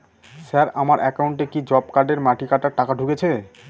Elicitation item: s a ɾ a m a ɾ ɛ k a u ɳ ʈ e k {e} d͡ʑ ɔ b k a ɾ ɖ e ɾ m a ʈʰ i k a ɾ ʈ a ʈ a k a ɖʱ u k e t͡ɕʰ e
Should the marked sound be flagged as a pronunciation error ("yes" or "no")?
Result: yes